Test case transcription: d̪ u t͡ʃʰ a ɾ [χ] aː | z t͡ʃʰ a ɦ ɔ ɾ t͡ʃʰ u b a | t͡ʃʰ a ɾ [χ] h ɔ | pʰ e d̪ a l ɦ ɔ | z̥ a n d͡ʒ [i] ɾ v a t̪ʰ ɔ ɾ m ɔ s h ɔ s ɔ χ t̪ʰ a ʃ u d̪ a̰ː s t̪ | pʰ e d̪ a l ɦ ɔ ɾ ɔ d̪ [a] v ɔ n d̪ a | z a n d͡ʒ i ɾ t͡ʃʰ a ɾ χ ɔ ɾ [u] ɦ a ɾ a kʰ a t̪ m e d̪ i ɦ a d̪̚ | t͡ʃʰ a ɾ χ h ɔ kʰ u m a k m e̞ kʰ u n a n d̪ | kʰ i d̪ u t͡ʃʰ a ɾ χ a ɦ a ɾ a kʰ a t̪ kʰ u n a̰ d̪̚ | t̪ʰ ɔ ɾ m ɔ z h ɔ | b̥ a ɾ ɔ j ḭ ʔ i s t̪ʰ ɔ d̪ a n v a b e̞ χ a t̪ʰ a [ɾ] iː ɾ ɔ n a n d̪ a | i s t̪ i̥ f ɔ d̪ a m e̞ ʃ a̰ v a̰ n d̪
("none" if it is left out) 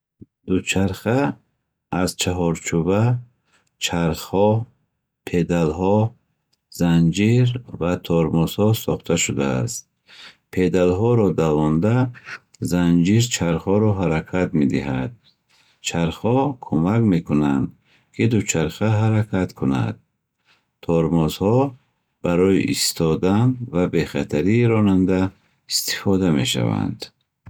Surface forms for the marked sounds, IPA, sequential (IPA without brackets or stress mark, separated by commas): χ, χ, i, a, ɔ, ɾ